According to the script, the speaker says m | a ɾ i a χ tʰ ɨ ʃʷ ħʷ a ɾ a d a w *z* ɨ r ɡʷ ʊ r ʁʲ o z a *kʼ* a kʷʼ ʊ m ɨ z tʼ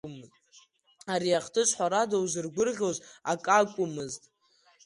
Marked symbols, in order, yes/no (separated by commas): yes, yes